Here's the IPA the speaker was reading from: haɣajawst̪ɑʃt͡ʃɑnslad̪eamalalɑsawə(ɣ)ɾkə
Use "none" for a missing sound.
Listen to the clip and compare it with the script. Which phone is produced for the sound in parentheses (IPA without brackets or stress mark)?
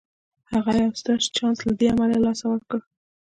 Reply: none